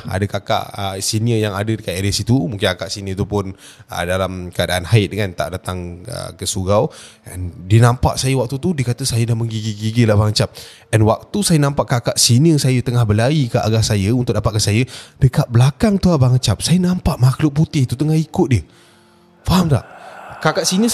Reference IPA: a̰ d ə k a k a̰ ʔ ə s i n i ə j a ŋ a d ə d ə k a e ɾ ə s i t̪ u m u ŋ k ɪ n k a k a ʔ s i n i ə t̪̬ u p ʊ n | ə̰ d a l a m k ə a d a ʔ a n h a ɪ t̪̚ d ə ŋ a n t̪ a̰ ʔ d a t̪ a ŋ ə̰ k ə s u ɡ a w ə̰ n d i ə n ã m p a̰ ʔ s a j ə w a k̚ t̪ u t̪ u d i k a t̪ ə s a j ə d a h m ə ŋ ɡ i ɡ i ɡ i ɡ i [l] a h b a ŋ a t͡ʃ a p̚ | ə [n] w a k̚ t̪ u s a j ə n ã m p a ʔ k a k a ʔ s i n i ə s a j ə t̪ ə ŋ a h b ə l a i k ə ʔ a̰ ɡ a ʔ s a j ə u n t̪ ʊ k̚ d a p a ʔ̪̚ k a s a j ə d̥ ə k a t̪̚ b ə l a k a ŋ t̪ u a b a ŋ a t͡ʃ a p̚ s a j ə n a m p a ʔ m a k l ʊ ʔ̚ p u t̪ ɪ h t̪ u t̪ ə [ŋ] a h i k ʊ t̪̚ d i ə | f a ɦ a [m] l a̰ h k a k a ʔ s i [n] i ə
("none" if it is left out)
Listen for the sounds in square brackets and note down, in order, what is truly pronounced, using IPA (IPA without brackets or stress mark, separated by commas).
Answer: l, n, ŋ, m, n